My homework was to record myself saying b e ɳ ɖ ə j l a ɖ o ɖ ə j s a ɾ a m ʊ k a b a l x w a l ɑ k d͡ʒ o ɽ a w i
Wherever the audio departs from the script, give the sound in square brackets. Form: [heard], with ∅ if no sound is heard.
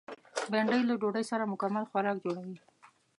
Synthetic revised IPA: b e ɳ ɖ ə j l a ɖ o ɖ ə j s a ɾ a m ʊ k a [m] a l x w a [ɾ] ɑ k d͡ʒ o ɽ a w i